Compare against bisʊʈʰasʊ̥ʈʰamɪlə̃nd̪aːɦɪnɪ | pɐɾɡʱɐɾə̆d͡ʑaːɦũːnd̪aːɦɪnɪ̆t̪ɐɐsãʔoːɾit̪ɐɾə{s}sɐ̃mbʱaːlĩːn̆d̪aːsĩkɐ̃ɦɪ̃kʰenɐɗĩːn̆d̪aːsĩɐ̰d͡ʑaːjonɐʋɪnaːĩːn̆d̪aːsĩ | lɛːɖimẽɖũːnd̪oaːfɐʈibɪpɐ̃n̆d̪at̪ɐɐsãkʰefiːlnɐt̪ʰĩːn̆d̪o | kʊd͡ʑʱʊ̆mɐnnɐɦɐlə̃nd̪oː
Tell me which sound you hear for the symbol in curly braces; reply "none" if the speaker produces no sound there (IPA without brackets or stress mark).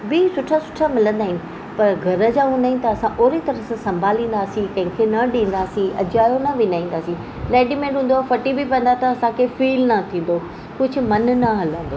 s